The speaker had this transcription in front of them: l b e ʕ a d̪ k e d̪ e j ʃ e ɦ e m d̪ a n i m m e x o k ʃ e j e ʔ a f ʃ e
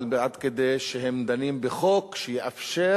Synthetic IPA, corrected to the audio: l b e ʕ a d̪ k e d̪ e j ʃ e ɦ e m d̪ a n i m b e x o k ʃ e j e ʔ a f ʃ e